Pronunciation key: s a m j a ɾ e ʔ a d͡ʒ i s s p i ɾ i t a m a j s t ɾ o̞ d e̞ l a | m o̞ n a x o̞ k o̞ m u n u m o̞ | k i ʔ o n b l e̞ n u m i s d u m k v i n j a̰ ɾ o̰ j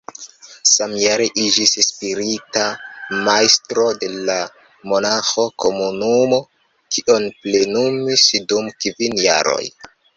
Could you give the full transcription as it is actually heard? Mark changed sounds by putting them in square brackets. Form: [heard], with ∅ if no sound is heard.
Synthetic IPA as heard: s a m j a ɾ e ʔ [i] d͡ʒ i s s p i ɾ i t a m a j s t ɾ o̞ d e̞ l a | m o̞ n a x o̞ k o̞ m u n u m o̞ | k i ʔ o n [p] l e̞ n u m i s d u m k v i n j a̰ ɾ o̰ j